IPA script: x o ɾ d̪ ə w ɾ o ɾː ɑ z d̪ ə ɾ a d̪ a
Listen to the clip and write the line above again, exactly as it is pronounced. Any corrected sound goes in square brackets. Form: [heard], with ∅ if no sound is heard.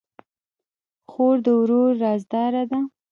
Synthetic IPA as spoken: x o ɾ d̪ ə w ɾ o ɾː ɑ z d̪ [ɑ] ɾ a d̪ a